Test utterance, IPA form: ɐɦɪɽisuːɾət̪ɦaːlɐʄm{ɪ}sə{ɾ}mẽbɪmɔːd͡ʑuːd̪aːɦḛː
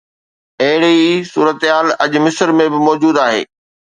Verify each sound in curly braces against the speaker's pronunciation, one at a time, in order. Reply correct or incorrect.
correct, correct

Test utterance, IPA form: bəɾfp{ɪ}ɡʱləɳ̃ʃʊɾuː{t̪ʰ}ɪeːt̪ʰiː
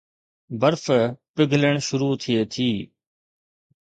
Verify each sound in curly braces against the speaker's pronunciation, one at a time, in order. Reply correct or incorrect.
correct, correct

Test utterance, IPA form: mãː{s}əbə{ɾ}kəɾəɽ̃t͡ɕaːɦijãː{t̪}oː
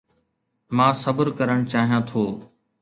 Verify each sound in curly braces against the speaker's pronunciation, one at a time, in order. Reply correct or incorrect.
correct, correct, incorrect: t̪ʰ

